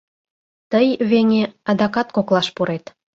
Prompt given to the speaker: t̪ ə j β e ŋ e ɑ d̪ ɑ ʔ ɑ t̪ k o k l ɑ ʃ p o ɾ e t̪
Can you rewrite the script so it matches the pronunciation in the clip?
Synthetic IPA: t̪ ə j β e ŋ e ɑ d̪ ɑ k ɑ t̪ k o k l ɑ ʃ p u ɾ e t̪